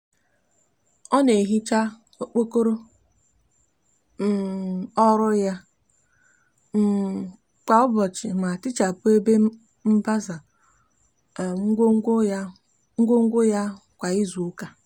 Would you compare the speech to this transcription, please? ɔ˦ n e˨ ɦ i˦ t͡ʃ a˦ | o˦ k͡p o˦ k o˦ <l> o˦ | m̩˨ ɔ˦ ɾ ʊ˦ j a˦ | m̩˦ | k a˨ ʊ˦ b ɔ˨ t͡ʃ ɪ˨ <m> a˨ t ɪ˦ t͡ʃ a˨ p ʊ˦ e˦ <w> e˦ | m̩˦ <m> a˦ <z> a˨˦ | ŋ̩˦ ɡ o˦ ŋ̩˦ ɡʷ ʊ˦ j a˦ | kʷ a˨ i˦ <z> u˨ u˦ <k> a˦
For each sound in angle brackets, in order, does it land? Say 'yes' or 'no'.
no, yes, no, no, yes, yes, yes

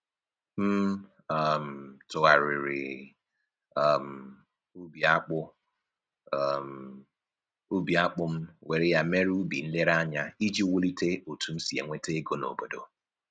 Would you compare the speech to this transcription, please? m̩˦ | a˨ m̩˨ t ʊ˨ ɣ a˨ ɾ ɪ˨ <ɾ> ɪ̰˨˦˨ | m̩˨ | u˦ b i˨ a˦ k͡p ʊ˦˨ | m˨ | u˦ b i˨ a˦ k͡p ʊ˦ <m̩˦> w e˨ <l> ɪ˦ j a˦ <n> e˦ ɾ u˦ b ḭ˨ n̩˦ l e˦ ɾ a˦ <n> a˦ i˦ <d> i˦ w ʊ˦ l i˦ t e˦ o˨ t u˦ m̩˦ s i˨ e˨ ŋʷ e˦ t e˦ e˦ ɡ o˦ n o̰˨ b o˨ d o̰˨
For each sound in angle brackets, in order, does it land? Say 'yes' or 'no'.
yes, yes, no, no, no, no

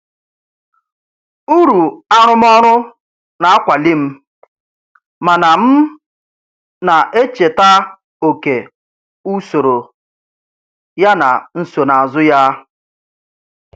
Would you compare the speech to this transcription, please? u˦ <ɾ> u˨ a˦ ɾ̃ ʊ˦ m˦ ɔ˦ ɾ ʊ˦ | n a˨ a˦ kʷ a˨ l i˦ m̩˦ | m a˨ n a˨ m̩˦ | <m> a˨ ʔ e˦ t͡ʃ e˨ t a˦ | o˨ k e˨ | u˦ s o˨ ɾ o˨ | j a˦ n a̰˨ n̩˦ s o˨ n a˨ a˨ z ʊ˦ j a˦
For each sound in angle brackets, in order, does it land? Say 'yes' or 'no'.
yes, no

